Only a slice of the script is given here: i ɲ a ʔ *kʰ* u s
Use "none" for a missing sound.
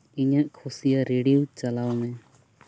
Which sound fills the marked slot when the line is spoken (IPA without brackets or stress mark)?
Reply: kʰ